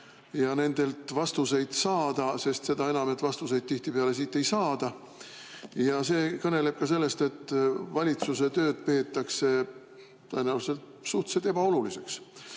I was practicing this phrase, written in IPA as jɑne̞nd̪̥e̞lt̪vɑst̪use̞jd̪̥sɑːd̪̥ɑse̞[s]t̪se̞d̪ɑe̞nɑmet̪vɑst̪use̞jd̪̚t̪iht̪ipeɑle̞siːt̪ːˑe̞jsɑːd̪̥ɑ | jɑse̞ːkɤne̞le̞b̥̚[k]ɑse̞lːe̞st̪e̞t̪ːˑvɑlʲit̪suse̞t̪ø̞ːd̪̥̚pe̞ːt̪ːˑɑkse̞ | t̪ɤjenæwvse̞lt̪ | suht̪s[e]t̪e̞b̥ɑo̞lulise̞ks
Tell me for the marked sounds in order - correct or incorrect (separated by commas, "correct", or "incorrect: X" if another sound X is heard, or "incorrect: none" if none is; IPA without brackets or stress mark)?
correct, correct, correct